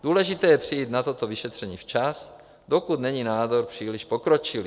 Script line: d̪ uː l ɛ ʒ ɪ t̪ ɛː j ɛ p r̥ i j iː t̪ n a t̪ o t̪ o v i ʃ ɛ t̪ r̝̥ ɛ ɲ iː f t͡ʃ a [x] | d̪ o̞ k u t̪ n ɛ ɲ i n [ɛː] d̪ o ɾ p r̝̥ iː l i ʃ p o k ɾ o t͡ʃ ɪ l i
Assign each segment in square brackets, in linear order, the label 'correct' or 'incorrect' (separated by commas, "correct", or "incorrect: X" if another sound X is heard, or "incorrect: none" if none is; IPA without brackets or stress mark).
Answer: incorrect: s, incorrect: aː